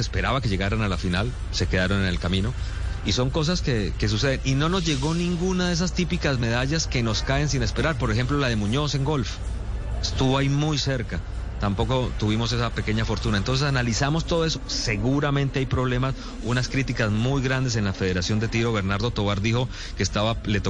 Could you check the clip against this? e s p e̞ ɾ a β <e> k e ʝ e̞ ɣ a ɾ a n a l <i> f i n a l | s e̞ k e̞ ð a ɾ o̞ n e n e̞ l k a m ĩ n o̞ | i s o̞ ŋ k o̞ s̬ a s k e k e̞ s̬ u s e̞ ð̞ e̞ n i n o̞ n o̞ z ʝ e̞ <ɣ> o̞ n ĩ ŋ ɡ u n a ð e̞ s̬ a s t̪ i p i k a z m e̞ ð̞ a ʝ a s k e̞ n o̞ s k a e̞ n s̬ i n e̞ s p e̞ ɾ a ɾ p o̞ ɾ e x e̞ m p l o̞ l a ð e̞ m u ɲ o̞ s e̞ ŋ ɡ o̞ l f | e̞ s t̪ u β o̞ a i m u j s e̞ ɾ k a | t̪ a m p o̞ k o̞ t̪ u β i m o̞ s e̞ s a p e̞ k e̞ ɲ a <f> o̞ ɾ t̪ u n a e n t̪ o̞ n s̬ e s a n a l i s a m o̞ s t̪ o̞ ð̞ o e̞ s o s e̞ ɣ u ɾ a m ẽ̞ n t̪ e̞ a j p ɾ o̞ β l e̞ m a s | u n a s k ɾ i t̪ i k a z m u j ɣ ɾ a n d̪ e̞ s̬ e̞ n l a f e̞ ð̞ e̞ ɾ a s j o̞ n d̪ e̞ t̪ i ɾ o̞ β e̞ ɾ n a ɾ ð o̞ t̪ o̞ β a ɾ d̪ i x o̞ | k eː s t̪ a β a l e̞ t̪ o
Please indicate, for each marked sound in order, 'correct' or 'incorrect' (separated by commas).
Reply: incorrect, incorrect, correct, correct